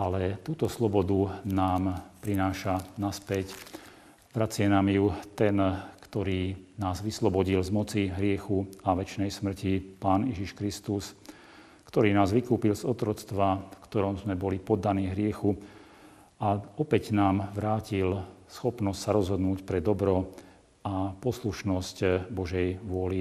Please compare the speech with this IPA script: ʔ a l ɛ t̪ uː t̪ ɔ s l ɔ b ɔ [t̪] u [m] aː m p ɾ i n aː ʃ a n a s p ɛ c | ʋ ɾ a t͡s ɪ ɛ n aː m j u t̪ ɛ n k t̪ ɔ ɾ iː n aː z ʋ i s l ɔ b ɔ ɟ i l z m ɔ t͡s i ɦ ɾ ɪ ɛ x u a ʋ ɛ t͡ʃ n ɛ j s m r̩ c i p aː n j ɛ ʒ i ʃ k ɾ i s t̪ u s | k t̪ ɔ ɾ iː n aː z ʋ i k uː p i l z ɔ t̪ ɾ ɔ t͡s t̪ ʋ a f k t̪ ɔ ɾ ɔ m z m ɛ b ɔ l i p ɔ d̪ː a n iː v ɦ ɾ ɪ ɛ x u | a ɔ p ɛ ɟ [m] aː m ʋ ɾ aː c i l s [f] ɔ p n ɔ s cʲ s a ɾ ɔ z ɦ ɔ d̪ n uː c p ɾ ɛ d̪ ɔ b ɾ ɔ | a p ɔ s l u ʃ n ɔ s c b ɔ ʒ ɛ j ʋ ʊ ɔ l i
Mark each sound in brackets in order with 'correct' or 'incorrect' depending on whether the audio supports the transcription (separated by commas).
incorrect, incorrect, incorrect, incorrect